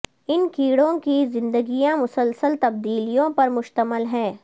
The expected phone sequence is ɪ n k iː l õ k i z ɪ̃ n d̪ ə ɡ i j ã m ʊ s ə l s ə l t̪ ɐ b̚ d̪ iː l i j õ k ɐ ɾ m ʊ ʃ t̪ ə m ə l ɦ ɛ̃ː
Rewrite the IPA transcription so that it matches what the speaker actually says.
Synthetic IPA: ɪ n k iː ɽ õ k i z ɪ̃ n d̪ ə ɡ i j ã m ʊ s ə l s ə l t̪ ɐ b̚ d̪ iː l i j õ p ɐ ɾ m ʊ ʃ t̪ ə m ə l ɦ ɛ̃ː